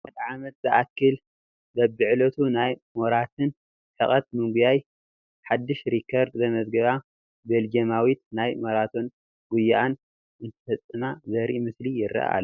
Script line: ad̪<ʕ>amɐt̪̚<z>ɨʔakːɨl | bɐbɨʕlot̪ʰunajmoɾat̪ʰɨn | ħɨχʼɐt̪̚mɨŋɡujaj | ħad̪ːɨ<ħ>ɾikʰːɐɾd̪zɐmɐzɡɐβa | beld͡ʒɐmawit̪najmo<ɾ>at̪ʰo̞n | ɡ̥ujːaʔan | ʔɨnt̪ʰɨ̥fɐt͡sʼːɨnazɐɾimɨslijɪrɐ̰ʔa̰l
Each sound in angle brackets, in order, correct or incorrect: correct, correct, incorrect: ʃ, correct

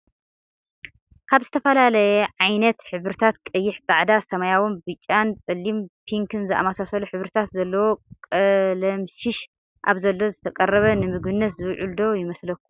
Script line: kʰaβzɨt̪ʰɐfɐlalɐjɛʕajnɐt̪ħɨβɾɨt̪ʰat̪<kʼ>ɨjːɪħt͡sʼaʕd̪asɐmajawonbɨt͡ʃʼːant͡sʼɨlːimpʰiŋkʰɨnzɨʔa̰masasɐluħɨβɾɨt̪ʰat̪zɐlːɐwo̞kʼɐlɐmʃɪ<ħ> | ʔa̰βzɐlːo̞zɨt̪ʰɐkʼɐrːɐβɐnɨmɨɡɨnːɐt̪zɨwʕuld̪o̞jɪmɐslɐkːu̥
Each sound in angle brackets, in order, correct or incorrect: correct, incorrect: ʃ

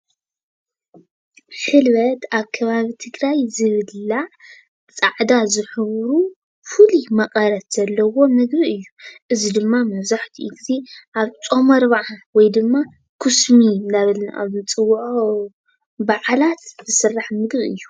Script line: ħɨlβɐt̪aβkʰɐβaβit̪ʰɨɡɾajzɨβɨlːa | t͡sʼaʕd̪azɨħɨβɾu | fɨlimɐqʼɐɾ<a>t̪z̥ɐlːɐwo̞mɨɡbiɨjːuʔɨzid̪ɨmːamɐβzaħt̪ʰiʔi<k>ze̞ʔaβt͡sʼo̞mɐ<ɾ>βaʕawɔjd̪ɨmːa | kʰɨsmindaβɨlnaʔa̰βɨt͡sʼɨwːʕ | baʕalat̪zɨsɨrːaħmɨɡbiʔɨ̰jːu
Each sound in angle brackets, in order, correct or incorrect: incorrect: ɐ, incorrect: ɡ, correct

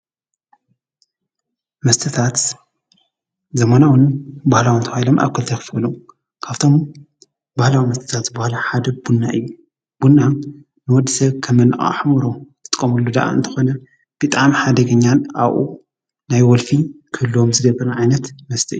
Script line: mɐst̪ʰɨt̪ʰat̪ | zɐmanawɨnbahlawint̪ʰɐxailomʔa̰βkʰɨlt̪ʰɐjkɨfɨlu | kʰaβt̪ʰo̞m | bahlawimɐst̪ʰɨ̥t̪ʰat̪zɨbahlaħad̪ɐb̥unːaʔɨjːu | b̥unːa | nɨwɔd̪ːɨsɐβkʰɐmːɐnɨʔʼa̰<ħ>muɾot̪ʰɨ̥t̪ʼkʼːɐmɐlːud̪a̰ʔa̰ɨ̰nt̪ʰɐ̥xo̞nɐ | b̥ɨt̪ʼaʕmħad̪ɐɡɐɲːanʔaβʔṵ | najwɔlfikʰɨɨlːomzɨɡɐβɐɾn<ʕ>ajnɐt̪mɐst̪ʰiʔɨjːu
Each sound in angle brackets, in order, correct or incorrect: correct, correct

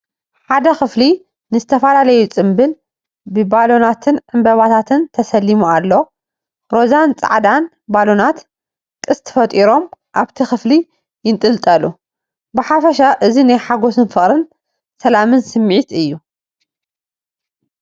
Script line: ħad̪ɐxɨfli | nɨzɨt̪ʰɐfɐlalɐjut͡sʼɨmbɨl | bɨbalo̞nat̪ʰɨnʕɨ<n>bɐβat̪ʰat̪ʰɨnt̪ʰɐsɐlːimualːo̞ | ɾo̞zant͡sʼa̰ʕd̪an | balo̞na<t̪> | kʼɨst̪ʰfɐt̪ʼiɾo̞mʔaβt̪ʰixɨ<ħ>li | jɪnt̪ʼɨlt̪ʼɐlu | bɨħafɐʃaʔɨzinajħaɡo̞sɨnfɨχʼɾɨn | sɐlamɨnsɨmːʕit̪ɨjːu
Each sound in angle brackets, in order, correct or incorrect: incorrect: m, correct, incorrect: f

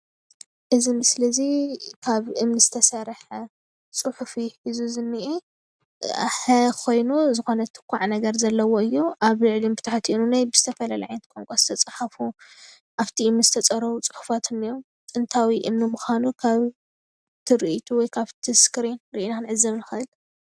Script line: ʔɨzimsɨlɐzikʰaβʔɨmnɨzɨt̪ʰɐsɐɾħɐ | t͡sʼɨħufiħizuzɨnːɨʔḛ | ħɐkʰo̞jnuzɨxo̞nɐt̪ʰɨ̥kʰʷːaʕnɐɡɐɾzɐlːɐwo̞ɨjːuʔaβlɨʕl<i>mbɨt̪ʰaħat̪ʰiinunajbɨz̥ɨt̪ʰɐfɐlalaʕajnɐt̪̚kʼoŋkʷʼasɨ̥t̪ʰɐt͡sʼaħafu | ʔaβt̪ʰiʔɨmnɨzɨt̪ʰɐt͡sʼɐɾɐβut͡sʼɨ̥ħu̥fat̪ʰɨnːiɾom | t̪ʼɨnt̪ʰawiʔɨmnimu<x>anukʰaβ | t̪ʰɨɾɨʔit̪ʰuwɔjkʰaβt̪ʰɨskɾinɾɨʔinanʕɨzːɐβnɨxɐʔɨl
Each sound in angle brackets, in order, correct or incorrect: correct, correct

